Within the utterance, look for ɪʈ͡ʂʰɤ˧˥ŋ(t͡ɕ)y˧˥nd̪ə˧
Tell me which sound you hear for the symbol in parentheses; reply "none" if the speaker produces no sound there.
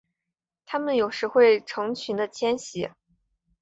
t͡ɕʰ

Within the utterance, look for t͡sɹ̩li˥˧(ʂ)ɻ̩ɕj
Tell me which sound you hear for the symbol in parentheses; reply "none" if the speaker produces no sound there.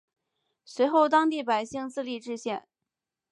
ʈ͡ʂ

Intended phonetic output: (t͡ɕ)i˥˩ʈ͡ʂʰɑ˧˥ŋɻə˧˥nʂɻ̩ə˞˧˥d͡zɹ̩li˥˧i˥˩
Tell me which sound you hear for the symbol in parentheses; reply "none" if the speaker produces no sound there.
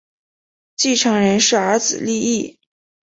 t͡ɕ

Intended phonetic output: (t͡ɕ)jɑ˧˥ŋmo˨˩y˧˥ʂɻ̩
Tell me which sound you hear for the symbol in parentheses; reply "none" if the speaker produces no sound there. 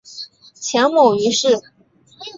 t͡ɕʰ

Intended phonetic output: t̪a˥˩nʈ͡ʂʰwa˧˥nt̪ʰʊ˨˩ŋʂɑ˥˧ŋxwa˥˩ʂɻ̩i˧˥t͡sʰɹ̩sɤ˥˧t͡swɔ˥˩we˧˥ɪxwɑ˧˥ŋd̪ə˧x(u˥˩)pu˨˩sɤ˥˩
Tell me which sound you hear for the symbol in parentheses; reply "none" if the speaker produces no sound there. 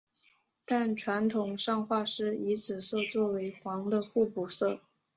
u˥˩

